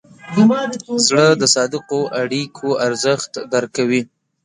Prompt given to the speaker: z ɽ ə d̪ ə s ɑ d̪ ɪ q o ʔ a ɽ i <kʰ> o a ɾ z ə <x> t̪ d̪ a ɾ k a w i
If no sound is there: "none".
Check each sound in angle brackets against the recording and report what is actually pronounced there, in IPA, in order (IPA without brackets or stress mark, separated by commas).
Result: kʰ, x